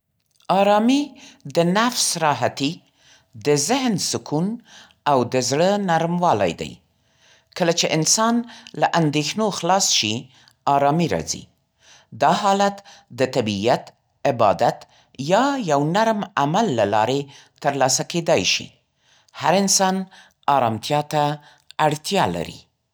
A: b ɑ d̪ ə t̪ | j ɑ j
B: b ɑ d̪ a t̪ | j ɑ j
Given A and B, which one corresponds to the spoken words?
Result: B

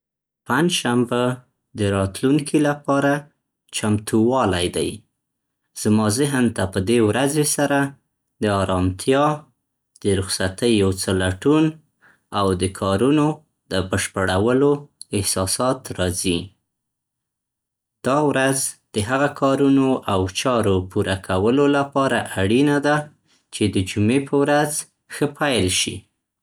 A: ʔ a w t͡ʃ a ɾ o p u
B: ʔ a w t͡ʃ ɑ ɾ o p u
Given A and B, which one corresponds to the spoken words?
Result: B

